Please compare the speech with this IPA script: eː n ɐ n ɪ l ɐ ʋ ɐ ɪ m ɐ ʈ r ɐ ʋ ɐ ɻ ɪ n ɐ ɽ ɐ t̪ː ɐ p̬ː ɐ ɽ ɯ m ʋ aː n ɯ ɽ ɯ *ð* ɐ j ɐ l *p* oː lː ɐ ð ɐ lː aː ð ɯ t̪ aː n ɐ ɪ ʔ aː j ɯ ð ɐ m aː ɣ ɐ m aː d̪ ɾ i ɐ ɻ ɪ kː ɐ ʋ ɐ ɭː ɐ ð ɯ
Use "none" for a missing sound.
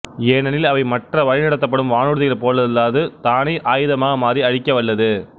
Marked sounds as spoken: ð, p

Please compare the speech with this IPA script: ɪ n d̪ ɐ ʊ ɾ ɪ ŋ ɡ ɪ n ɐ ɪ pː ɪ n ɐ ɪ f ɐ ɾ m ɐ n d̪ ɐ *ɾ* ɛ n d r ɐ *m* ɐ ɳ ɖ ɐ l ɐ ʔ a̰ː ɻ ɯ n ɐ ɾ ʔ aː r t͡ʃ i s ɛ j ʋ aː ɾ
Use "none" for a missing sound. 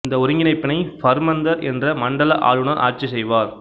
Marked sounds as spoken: ɾ, m

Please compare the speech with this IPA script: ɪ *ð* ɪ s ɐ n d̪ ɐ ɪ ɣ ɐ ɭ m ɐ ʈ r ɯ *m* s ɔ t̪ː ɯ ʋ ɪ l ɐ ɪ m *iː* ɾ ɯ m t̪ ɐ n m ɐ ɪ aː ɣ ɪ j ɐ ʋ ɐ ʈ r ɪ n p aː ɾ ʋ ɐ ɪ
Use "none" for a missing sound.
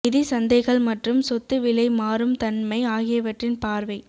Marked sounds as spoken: ð, m, aː

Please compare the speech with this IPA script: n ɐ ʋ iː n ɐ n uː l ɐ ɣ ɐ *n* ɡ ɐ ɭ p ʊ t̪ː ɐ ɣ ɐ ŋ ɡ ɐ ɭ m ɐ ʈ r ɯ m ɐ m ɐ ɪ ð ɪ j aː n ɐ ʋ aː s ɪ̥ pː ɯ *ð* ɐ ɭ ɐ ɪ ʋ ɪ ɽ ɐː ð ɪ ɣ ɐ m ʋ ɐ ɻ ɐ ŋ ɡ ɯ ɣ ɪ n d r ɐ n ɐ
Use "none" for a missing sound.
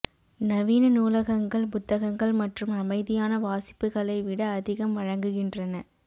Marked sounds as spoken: ŋ, ɣ

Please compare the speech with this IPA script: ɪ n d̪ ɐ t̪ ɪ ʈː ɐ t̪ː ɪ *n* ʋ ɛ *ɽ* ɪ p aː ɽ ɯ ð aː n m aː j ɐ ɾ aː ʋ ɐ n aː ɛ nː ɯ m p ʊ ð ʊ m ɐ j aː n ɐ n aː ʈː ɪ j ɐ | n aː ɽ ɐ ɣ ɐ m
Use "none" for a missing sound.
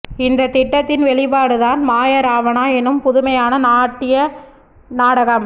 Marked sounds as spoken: n, ɭ

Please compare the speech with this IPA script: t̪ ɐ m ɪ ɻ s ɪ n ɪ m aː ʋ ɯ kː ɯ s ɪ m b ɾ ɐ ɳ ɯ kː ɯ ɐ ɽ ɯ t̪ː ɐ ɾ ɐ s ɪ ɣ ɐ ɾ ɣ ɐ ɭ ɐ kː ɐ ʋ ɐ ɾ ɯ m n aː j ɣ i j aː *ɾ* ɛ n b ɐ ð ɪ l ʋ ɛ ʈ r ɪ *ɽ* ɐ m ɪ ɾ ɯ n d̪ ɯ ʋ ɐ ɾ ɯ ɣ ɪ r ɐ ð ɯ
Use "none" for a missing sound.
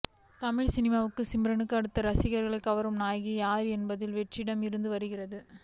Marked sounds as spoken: ɾ, ɽ

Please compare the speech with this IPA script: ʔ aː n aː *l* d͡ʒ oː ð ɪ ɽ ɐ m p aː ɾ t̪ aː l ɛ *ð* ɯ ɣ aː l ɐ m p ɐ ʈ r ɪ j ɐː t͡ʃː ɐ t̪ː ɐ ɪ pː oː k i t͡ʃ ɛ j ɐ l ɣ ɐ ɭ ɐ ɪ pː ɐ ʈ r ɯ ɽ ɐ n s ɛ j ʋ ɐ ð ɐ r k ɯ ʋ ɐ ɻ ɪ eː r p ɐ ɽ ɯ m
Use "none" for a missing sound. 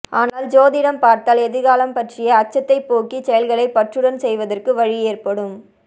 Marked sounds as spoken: l, ð

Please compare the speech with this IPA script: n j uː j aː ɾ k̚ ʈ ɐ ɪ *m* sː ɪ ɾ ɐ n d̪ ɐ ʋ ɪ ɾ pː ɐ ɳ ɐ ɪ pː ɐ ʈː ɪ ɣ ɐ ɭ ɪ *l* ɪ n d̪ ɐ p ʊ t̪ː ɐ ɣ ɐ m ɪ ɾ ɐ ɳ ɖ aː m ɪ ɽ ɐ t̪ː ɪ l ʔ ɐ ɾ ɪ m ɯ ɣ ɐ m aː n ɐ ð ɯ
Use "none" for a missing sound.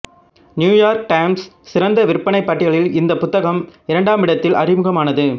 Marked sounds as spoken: m, l

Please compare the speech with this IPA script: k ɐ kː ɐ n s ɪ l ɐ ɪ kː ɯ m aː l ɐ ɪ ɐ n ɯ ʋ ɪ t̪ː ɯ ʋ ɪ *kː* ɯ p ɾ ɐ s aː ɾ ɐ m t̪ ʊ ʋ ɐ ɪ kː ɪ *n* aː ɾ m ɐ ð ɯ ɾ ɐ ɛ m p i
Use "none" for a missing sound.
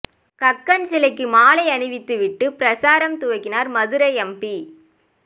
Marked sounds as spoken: ʈː, n

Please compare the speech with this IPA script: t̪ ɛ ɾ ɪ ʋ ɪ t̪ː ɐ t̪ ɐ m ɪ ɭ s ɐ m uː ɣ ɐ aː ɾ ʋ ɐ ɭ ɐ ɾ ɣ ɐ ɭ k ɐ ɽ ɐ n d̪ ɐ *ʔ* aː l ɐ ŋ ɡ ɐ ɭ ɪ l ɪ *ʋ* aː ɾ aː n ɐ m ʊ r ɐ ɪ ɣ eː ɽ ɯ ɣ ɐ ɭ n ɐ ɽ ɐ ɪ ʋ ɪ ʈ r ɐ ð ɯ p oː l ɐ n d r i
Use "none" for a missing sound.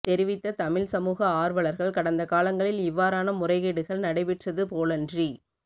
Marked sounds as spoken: k, ʋː

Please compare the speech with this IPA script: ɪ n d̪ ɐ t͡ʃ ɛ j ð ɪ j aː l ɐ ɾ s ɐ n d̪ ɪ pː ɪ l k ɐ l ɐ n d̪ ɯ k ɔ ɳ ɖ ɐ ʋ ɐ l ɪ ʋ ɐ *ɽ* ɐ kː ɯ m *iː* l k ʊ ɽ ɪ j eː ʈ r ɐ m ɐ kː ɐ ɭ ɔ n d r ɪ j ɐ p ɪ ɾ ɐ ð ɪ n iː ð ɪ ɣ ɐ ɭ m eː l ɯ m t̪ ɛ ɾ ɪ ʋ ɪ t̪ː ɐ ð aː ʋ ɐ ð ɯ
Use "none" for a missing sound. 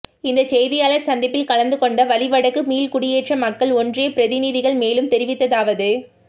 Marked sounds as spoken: ɽ, iː

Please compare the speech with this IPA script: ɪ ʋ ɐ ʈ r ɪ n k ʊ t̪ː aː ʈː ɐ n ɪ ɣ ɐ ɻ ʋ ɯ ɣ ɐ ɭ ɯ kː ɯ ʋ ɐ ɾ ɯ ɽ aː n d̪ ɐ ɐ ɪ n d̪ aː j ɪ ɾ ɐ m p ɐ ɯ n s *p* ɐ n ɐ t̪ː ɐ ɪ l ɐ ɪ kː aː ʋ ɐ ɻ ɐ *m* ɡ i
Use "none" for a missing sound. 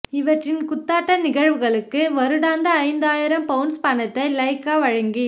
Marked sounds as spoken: p, ŋ

